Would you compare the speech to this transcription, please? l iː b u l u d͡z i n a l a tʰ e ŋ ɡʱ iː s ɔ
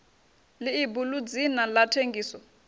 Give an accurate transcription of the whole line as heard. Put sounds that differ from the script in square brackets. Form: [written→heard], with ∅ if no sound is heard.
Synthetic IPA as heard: l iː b u l u d͡z i n a l a tʰ e ŋ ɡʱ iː s ɔ